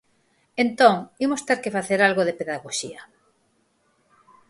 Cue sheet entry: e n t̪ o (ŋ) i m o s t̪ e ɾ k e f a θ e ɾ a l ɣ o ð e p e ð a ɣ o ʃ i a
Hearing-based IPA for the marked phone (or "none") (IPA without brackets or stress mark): ŋ